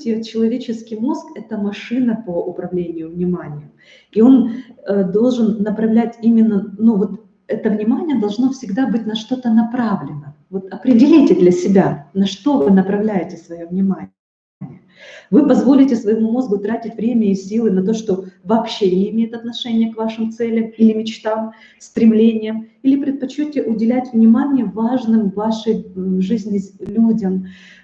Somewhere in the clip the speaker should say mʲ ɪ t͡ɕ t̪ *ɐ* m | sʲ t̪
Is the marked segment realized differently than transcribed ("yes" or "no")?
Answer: yes